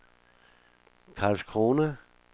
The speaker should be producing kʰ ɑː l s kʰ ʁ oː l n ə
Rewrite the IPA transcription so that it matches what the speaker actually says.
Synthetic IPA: kʰ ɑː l s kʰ ʁ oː n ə